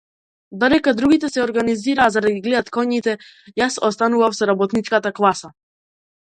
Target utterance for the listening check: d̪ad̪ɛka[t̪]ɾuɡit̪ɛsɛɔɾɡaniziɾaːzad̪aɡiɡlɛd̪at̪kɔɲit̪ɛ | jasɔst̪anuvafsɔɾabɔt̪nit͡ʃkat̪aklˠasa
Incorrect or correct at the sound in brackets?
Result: incorrect: d̪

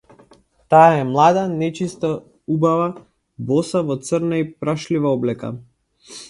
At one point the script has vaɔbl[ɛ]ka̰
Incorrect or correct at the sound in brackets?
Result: correct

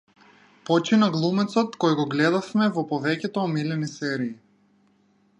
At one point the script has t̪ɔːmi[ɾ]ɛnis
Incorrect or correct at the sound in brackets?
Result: incorrect: l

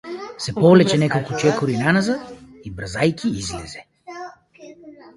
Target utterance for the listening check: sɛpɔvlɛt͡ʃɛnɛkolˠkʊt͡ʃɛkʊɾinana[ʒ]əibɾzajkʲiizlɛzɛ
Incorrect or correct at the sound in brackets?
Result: incorrect: z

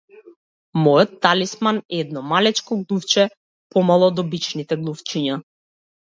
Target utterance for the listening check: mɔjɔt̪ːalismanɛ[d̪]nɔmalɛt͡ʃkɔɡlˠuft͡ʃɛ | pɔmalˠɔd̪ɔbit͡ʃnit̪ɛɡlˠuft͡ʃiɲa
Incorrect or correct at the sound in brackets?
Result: correct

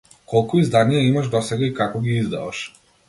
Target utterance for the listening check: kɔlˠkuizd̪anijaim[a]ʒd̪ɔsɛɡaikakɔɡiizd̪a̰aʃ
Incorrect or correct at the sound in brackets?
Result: correct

